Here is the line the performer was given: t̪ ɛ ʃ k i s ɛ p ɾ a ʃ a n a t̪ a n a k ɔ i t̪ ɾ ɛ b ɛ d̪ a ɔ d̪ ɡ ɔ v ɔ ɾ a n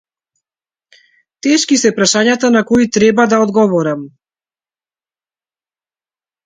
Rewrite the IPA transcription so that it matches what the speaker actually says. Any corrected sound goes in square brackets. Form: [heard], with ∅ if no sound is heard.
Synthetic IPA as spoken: t̪ ɛ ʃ k i s ɛ p ɾ a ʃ a [ɲ] a t̪ a n a k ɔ i t̪ ɾ ɛ b [a] d̪ a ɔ d̪ ɡ ɔ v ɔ ɾ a [m]